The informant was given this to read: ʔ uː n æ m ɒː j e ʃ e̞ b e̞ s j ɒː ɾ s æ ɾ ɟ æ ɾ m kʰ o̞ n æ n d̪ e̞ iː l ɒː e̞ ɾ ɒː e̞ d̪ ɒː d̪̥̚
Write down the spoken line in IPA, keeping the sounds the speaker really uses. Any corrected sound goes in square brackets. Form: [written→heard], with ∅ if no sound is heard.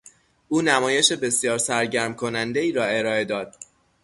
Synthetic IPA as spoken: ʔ uː n æ m ɒː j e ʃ e̞ b e̞ s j ɒː ɾ s æ ɾ ɟ æ ɾ m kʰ o̞ n æ n d̪ e̞ iː [l→ɾ] ɒː e̞ ɾ ɒː e̞ d̪ ɒː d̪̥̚